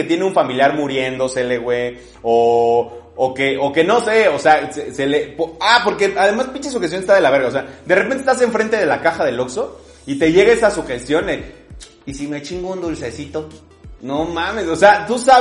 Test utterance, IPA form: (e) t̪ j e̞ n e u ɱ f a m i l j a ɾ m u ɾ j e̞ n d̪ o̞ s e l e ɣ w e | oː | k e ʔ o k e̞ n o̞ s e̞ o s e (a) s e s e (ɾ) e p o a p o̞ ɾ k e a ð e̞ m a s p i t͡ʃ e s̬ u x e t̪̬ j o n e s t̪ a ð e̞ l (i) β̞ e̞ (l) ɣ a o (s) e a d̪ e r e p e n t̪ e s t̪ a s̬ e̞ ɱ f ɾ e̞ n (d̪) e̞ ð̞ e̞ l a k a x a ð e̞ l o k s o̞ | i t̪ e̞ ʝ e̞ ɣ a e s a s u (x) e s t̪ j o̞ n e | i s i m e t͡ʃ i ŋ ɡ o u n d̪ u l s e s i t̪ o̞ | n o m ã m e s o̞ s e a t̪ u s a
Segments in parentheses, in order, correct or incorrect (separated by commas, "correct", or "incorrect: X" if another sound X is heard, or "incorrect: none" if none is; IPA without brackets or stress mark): correct, correct, incorrect: l, incorrect: a, incorrect: ɾ, correct, incorrect: t̪, correct